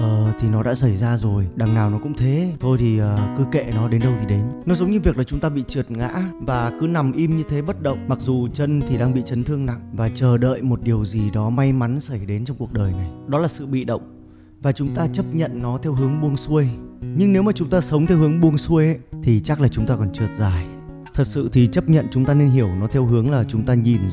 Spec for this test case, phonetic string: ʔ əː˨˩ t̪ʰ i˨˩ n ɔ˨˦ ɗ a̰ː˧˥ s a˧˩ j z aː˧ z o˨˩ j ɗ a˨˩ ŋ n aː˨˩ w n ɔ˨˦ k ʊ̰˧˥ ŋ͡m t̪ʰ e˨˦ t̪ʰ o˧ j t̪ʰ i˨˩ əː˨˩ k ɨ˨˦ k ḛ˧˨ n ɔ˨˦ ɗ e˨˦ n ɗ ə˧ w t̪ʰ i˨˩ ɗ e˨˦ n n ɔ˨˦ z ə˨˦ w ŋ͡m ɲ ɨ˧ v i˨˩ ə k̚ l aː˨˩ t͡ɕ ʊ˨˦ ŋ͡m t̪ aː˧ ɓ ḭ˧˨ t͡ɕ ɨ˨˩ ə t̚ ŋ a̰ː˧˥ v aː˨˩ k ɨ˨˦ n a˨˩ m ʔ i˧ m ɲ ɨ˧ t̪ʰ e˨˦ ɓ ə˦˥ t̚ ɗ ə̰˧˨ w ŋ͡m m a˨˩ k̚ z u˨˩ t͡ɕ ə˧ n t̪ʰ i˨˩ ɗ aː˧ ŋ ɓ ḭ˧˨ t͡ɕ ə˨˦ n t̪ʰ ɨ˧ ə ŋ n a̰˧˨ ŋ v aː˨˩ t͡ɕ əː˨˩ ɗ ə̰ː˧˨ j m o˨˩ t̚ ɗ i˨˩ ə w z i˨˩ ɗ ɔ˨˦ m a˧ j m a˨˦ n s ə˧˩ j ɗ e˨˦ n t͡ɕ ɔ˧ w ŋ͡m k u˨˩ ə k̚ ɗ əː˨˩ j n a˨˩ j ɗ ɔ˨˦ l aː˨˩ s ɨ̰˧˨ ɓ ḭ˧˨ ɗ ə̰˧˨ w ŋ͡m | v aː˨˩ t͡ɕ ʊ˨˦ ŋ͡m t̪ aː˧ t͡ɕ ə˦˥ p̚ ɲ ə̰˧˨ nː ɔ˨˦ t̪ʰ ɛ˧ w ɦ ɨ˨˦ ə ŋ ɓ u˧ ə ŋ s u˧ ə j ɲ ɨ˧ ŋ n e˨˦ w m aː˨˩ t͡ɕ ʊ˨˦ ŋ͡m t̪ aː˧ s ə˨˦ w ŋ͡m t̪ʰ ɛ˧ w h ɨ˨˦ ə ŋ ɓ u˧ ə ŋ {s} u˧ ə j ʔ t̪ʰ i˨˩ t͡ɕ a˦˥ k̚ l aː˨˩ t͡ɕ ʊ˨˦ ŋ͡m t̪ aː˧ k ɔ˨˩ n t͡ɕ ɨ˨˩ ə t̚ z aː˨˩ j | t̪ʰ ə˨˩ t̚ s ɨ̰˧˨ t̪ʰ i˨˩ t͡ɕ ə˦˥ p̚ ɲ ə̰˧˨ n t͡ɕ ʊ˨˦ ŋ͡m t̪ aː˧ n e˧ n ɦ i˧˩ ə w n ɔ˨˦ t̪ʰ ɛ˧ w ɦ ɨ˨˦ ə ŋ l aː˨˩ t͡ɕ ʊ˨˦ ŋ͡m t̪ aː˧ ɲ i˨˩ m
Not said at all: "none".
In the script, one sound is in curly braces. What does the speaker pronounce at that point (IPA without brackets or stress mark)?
s